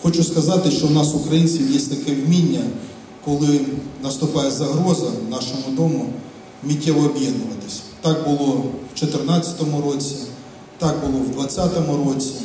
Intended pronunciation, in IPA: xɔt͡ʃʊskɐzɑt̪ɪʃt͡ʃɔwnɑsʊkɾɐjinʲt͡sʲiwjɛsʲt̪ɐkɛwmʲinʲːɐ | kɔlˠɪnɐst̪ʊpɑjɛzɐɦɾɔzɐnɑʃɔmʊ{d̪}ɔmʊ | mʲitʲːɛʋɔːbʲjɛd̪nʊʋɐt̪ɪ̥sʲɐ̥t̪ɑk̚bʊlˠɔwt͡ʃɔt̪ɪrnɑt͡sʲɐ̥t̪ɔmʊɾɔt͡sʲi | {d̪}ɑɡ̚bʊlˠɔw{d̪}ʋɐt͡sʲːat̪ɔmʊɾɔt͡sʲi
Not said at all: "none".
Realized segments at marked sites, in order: d̪, t̪, d̪

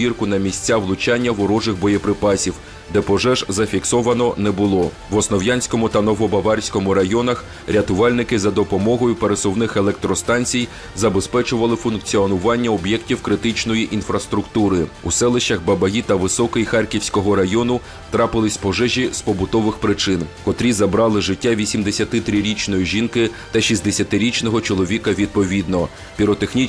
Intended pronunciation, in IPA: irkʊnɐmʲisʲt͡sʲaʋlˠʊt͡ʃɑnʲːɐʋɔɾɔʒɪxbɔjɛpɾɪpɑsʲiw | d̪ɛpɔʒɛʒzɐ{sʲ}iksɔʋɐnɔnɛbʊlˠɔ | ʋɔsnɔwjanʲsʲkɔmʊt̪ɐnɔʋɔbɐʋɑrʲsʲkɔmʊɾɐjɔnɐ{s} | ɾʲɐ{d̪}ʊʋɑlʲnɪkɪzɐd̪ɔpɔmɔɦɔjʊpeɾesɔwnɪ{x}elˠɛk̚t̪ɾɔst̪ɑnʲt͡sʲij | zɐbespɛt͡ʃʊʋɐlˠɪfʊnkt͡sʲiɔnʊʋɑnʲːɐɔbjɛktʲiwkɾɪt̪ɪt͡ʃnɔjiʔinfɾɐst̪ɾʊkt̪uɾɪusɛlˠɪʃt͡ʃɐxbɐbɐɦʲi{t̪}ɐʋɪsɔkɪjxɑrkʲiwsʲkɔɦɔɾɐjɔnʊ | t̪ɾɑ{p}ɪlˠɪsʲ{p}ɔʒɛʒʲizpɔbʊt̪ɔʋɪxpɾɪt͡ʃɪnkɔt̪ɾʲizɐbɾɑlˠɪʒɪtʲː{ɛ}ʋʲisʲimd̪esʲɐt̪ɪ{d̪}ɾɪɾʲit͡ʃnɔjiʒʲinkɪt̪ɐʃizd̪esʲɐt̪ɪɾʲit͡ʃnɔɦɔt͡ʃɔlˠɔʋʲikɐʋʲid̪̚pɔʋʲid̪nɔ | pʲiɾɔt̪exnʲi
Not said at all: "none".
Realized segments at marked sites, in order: fʲ, x, t̪, x, t̪, p, p, a, t̪

